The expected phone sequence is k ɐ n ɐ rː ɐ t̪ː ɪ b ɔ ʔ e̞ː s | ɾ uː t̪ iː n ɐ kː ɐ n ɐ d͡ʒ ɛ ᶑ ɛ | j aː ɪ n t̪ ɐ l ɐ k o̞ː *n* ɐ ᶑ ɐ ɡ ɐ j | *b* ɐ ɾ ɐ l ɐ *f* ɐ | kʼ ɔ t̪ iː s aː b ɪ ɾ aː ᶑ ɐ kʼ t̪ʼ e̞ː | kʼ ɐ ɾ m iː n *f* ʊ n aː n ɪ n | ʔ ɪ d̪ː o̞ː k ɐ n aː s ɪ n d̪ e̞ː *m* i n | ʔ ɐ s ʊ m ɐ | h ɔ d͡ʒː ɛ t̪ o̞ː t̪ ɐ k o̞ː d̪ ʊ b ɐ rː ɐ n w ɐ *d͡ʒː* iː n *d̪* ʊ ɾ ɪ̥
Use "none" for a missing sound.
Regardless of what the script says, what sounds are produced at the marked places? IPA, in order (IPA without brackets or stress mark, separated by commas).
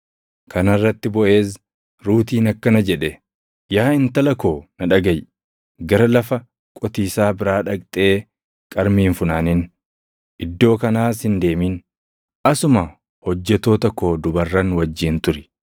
n, ɡ, f, f, m, d͡ʒː, t̪